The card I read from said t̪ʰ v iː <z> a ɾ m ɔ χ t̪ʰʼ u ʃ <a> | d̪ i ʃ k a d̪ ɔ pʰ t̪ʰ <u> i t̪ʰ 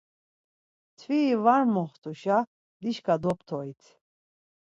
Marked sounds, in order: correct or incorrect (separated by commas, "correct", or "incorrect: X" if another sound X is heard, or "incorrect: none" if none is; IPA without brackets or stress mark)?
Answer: incorrect: v, correct, incorrect: ɔ